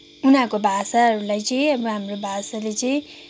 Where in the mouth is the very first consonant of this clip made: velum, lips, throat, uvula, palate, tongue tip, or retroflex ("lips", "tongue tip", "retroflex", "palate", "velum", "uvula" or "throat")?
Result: tongue tip